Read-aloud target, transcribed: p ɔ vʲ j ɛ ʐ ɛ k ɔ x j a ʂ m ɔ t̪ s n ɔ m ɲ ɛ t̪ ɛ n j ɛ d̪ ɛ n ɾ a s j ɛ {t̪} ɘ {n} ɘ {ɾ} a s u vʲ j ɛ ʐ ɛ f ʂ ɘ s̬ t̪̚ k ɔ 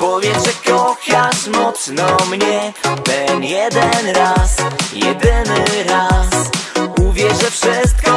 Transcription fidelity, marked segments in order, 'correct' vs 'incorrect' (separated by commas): incorrect, correct, correct